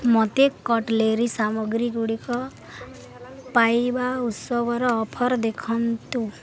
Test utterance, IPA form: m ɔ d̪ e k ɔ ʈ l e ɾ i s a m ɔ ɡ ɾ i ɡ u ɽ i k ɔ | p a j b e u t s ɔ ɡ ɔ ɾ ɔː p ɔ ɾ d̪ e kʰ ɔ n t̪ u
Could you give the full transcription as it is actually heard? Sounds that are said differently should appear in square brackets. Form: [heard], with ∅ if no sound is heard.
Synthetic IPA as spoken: m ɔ [t̪] e k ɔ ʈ l e ɾ i s a m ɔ ɡ ɾ i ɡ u ɽ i k ɔ | p a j b [a] u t s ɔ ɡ ɔ ɾ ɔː [pʰ] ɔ ɾ d̪ e kʰ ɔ n t̪ u